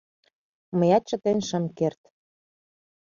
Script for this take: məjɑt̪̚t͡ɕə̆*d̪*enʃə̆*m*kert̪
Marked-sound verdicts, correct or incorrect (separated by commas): incorrect, correct